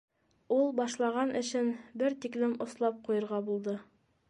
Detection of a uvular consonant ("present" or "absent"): present